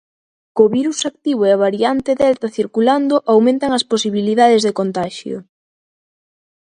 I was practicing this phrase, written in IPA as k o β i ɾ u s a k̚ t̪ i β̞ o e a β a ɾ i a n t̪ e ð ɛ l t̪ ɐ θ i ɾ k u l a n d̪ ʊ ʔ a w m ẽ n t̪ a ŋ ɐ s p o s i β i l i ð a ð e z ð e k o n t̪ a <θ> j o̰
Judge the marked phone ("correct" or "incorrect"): incorrect